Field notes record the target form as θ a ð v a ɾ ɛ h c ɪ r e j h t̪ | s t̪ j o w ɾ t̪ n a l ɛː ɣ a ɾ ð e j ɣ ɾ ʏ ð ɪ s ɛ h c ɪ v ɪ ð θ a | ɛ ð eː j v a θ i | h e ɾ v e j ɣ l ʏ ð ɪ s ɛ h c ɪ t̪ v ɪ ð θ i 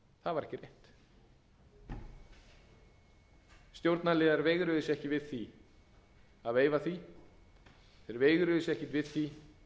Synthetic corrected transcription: θ a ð v a ɾ ɛ h c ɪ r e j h t̪ | s t̪ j o w ɾ t̪ n a l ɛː ð a ɾ v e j ɣ ɾ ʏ ð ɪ s ɛ h c ɪ v ɪ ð θ i | a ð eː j v a θ i | θ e ɾ v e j ɣ ɾ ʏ ð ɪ s ɛ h c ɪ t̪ v ɪ ð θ i